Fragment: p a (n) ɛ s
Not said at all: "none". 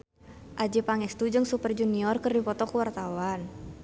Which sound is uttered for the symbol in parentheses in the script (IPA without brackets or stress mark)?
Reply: ŋ